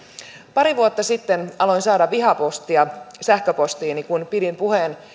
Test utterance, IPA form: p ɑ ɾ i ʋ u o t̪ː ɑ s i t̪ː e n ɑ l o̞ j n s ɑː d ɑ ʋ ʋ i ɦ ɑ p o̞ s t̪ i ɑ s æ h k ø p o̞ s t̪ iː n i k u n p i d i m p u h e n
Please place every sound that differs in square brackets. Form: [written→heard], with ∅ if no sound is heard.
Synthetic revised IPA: p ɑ ɾ i ʋ u o t̪ː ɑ s i t̪ː e n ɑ l o̞ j n s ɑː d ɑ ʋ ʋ i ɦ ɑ p o̞ s t̪ i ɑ s æ h k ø p o̞ s t̪ iː n i k u n p i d i m p u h e n